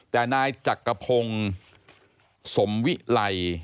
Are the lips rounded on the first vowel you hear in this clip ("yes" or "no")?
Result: no